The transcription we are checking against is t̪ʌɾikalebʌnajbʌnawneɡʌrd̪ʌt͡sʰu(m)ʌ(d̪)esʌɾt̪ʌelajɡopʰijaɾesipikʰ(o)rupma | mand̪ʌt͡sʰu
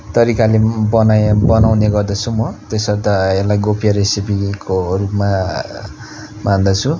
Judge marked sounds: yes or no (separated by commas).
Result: yes, no, yes